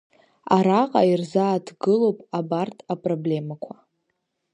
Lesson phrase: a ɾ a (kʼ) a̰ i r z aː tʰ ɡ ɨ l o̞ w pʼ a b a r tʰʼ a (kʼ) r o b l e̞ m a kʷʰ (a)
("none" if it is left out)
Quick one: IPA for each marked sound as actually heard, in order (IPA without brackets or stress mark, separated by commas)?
qʼ, pʼ, a